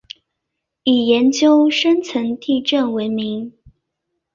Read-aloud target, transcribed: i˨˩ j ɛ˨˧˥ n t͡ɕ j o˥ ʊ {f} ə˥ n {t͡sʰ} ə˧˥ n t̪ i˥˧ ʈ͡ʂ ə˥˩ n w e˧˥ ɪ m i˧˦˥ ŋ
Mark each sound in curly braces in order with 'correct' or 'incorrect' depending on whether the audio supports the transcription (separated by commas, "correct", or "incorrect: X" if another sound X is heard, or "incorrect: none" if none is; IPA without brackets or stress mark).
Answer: incorrect: ʂ, correct